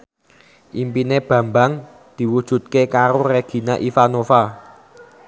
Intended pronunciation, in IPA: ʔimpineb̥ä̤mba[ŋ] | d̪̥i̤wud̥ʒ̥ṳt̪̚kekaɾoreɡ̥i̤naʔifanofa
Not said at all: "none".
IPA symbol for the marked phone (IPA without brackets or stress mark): ŋ